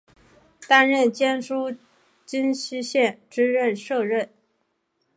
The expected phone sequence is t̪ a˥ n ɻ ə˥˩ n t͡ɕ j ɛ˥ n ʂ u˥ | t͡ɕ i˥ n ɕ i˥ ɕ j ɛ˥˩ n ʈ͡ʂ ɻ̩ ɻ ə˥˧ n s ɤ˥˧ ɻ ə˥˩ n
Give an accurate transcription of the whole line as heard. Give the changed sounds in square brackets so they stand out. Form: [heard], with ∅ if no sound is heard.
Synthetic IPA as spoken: t̪ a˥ n ɻ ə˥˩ n t͡ɕ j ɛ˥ n ʂ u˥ | t͡ɕ i˥ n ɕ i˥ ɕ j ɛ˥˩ n ʈ͡ʂ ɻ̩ ɻ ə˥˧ n [ʂ] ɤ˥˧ ɻ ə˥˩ n